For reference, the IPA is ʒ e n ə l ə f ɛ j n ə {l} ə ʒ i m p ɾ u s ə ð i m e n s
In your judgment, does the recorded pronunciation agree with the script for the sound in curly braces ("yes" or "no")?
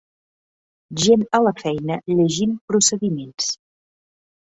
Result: no